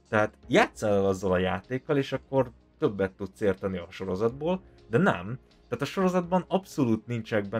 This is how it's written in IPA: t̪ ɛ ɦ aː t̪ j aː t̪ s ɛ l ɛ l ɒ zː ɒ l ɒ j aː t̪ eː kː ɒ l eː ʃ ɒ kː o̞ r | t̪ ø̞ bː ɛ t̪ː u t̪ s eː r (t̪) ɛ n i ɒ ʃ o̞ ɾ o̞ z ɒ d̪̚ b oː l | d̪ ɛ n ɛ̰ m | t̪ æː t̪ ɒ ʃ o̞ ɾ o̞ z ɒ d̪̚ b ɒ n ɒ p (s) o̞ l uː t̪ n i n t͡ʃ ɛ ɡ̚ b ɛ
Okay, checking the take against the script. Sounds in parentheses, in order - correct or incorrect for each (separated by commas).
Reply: correct, correct